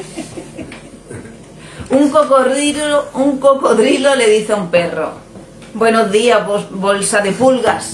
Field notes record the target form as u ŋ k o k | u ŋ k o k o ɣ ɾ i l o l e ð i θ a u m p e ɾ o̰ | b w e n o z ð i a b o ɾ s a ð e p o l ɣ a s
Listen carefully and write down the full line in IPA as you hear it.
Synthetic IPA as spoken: u ŋ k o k | u ŋ k o k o ð ɾ i l o l e ð i θ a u m p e r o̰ | b w e n o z ð i a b o l s a ð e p u l ɣ a s